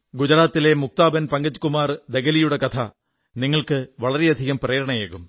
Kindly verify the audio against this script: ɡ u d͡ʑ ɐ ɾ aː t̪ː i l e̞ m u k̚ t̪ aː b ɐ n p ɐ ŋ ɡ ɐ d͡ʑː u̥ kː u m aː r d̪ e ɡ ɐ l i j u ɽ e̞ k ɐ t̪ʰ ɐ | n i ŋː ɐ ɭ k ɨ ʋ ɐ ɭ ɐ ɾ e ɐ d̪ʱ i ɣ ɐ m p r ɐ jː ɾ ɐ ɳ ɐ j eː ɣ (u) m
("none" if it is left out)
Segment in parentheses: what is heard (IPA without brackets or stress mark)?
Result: u